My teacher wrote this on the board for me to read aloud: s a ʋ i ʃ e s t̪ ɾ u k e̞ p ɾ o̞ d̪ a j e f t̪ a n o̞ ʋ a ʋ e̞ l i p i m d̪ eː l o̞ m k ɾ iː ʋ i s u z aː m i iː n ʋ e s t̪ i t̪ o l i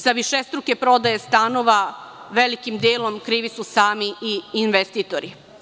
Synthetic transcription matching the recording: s a ʋ i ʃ e s t̪ ɾ u k e̞ p ɾ o̞ d̪ a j e s t̪ a n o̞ ʋ a ʋ e̞ l i k i m d̪ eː l o̞ m k ɾ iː ʋ i s u s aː m i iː n ʋ e s t̪ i t̪ o ɾ i